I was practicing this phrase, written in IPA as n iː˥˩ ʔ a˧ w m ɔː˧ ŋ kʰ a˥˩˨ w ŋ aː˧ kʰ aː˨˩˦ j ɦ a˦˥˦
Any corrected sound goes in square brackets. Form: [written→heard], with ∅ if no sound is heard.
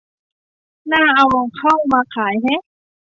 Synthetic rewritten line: n [iː˥˩→aː˥˩] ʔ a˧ w m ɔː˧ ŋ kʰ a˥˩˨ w [ŋ→m] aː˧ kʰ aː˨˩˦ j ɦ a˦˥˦